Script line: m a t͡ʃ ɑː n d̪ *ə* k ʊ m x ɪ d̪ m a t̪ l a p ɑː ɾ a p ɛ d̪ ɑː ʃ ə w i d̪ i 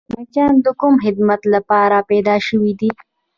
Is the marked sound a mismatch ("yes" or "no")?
no